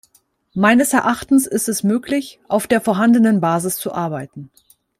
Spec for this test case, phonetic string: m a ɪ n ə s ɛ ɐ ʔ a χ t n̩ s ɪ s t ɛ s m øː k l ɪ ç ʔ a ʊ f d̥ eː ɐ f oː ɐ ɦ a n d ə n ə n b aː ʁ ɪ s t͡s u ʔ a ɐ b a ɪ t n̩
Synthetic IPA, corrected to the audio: m a ɪ n ə s ɛ ɐ ʔ a χ t n̩ s ɪ s t ɛ s m øː k l ɪ ç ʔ a ʊ f d̥ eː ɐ f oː ɐ ɦ a n d ə n ə n b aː z ɪ s t͡s u ʔ a ɐ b a ɪ t n̩